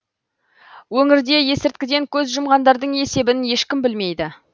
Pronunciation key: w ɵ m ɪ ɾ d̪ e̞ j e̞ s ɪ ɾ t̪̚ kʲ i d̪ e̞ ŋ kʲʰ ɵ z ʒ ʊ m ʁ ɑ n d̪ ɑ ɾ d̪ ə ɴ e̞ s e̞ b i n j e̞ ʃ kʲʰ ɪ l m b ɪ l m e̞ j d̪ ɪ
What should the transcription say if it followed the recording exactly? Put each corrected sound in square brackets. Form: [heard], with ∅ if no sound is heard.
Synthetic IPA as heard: w ɵ [ŋ] ɪ ɾ d̪ e̞ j e̞ s ɪ ɾ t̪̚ kʲ [ɪ] d̪ e̞ ŋ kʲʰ ɵ z ʒ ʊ m ʁ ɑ n d̪ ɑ ɾ d̪ ə ɴ e̞ s e̞ b [ɪ] n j e̞ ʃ [kʲ] ɪ [∅] m b ɪ l m e̞ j d̪ ɪ